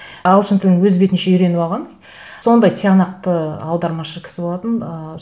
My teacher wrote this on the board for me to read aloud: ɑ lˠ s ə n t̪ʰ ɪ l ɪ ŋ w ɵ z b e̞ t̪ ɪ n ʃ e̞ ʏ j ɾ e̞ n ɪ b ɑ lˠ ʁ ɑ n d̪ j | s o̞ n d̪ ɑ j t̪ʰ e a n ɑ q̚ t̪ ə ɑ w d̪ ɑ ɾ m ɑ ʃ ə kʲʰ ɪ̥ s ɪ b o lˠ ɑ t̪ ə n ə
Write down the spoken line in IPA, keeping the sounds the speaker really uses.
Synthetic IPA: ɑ lˠ ʃ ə n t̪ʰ ɪ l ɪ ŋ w ɵ z b e̞ t̪ ɪ n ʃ e̞ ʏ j ɾ e̞ n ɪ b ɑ lˠ ʁ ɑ n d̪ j | s o̞ n d̪ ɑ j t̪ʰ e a n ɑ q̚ t̪ ə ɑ w d̪ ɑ ɾ m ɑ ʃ ə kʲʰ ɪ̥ s ɪ b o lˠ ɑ t̪ ə n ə